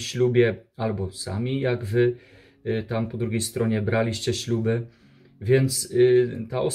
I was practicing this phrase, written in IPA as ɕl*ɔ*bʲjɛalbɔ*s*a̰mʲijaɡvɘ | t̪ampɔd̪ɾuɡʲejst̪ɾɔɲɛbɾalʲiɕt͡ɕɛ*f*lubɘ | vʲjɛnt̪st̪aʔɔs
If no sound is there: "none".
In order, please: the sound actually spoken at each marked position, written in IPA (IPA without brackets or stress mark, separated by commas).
u, s, ɕ